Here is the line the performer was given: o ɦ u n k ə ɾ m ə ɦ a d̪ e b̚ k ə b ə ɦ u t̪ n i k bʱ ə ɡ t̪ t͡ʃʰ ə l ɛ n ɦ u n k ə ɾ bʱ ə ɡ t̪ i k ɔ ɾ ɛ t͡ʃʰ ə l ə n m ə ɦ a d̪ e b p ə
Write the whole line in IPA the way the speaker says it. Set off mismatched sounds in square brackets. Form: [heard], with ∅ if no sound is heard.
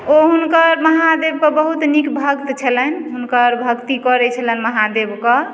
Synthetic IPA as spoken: o ɦ u n k ə ɾ m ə ɦ a d̪ e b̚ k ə b ə ɦ u t̪ n i k bʱ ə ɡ t̪ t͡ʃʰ ə l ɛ n ɦ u n k ə ɾ bʱ ə ɡ t̪ i k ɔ ɾ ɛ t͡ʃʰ ə l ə n m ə ɦ a d̪ e b [k] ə